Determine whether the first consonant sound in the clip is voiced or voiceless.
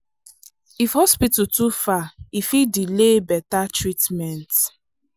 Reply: voiceless